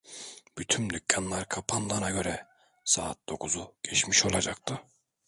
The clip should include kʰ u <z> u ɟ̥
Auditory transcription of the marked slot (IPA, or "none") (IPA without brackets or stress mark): z